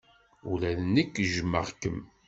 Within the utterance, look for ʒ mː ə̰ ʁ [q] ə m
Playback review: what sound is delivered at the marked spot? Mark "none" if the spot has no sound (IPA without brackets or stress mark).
k